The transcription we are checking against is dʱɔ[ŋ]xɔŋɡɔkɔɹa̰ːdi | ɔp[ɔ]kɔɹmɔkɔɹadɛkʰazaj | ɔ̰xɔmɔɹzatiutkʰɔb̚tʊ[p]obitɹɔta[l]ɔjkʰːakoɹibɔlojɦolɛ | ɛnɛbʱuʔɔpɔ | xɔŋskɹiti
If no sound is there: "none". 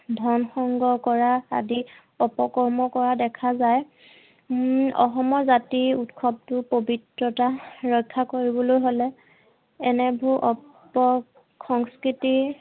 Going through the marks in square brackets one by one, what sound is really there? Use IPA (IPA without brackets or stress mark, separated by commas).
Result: n, ɔ, p, ɹ